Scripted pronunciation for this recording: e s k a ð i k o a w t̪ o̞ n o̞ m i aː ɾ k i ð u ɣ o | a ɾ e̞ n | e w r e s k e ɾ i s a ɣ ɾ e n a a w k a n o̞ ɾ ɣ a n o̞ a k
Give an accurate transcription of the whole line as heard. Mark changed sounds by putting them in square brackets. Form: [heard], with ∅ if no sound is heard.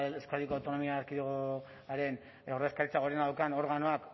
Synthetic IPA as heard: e s k a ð i k o a w t̪ o̞ n o̞ m i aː ɾ k i ð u ɣ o | a ɾ e̞ n | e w r e s k [a] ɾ i [t͡s] a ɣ ɾ e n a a w k a n o̞ ɾ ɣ a n o̞ a k